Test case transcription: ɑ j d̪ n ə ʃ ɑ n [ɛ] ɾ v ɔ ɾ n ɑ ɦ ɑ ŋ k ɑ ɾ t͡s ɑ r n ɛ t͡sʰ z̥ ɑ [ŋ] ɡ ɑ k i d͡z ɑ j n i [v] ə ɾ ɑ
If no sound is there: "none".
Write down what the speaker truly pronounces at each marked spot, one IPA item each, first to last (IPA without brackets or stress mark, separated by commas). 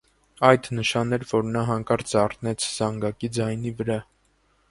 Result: ɛ, ŋ, v